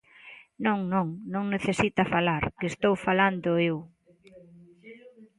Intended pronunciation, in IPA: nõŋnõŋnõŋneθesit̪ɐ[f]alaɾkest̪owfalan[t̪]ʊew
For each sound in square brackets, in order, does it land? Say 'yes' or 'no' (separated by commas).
yes, no